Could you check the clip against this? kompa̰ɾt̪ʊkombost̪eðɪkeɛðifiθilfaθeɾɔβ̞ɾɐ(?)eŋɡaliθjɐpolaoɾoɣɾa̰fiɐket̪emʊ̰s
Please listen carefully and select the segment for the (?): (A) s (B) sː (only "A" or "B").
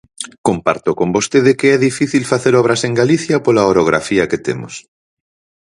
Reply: A